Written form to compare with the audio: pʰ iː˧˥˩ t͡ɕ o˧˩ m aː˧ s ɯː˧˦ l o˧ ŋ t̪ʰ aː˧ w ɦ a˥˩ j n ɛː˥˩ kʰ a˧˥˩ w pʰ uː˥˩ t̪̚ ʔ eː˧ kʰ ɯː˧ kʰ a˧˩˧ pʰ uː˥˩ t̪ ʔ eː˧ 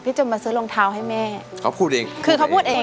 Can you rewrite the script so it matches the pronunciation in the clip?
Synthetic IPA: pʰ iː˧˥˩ t͡ɕ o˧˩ m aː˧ s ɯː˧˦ l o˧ ŋ t̪ʰ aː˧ w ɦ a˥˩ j m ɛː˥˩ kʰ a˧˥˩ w pʰ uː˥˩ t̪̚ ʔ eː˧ kʰ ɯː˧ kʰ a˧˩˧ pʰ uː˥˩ t̪ ʔ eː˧